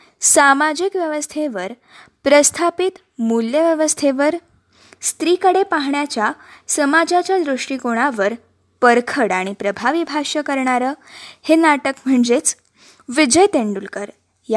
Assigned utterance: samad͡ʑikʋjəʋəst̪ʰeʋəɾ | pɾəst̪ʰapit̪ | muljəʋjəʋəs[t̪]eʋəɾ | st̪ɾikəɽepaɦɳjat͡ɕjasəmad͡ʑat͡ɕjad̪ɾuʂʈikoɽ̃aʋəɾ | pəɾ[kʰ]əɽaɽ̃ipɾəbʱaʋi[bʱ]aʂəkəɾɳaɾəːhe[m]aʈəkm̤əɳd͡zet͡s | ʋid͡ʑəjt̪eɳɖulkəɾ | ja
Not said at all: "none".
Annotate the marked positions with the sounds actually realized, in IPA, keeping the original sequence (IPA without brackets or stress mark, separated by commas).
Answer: t̪ʰ, kʰ, bʱ, n